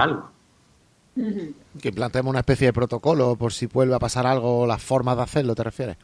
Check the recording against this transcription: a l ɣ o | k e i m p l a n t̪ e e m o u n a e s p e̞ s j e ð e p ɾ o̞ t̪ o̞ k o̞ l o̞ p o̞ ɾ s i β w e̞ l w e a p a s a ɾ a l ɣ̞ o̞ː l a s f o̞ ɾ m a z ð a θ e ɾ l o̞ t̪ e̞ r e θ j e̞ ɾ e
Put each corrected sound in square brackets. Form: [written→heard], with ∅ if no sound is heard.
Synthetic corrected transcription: a l ɣ o | k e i m p l a n t̪ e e m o u n a e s p e̞ [s→θ] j e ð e p ɾ o̞ t̪ o̞ k o̞ l o̞ p o̞ ɾ s i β w e̞ l [w→β] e a p a s a ɾ a l ɣ̞ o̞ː l a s f o̞ ɾ m a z ð a θ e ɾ l o̞ t̪ e̞ r e [θ→f] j e̞ ɾ e